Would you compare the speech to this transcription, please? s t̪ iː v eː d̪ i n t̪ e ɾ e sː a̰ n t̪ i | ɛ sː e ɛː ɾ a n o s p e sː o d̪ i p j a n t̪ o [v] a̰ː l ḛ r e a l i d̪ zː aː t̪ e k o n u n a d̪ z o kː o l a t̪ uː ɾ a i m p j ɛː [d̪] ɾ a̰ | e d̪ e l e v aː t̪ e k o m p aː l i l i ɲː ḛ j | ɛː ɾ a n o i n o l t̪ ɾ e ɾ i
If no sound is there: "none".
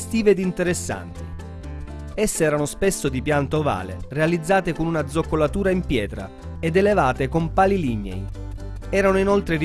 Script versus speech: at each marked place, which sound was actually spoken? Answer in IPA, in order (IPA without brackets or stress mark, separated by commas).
v, t̪